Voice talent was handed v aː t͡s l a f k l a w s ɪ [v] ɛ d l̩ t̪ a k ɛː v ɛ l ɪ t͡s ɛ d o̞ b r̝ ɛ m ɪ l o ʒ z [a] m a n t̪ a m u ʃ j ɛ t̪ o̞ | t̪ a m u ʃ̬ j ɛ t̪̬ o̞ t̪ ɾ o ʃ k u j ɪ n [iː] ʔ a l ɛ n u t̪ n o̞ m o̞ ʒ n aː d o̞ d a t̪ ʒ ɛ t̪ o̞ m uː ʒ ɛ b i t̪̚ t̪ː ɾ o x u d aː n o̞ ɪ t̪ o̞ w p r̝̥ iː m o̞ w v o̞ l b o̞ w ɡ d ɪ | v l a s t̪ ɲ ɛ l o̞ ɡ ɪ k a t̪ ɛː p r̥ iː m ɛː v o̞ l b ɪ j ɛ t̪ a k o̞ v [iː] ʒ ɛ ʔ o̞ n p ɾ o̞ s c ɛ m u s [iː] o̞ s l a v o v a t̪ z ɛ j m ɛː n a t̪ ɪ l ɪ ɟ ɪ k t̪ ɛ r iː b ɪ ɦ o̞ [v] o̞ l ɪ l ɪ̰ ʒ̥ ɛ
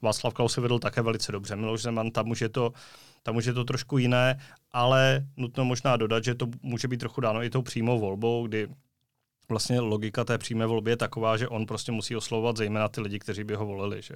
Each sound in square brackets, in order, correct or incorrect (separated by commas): correct, incorrect, incorrect, incorrect, correct, correct